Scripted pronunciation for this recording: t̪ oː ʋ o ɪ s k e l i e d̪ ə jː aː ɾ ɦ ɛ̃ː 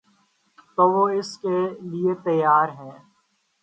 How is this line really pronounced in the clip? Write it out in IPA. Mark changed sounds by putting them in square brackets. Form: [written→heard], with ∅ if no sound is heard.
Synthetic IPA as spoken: t̪ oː ʋ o ɪ s k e l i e [d̪→t̪] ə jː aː ɾ ɦ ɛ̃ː